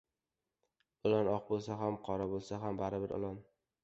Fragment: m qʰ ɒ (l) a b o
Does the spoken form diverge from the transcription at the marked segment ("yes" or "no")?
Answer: yes